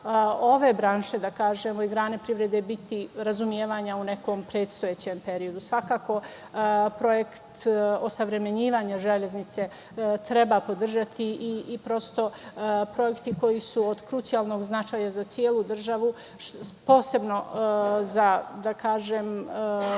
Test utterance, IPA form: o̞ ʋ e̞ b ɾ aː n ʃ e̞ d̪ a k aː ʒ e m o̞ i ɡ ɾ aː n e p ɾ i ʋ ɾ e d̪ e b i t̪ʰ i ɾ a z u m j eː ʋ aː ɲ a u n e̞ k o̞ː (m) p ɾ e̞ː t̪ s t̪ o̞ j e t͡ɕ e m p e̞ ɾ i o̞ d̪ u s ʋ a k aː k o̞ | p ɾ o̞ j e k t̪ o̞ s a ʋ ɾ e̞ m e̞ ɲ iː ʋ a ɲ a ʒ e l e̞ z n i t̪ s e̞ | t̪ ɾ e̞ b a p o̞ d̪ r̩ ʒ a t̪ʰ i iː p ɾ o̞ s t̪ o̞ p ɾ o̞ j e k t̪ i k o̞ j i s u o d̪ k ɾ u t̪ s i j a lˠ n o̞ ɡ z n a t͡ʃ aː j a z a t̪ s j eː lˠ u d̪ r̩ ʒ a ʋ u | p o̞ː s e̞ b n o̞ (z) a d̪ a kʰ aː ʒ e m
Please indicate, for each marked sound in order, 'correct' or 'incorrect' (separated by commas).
correct, correct